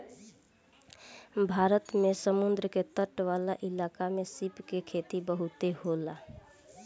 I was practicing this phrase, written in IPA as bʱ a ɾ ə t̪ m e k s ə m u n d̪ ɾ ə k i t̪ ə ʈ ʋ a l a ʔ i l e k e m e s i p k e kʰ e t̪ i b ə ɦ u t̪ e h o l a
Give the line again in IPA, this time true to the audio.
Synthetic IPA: bʱ a ɾ ə t̪ m e s ə m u n d̪ ɾ ə k e t̪ ə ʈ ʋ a l a ʔ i l a k a m e s i p k e kʰ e t̪ i b ə ɦ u t̪ e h o l a